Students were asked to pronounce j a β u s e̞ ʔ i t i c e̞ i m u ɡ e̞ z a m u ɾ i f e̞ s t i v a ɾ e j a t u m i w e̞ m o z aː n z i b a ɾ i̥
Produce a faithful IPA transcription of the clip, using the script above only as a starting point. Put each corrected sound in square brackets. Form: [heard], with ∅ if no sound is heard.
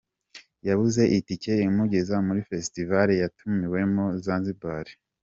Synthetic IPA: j a β u [z] e̞ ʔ i t i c e̞ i m u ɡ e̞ z a m u ɾ i f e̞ s t i v a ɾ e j a t u m i w e̞ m o z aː n z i b a ɾ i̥